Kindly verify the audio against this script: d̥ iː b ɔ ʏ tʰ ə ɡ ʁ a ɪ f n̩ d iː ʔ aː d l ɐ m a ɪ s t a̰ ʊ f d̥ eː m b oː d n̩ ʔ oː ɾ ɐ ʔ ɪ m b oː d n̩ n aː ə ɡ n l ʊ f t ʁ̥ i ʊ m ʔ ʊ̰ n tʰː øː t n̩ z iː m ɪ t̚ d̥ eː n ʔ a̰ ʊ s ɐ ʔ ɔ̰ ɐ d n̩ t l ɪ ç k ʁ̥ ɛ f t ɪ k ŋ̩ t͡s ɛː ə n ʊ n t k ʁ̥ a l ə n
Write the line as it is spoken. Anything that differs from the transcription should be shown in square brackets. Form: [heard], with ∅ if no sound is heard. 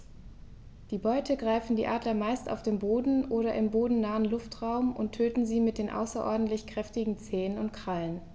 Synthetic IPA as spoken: d̥ iː b ɔ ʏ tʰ ə ɡ ʁ a ɪ f n̩ d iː ʔ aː d l ɐ m a ɪ s t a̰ ʊ f d̥ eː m b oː d n̩ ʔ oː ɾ ɐ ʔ ɪ m b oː d n̩ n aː ə [∅] n l ʊ f t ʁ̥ [a] ʊ m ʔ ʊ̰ n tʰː øː t n̩ z iː m ɪ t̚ d̥ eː n ʔ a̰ ʊ s ɐ ʔ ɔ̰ ɐ d n̩ t l ɪ ç k ʁ̥ ɛ f t ɪ [ɡ] ŋ̩ t͡s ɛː ə n ʊ n t k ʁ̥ a l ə n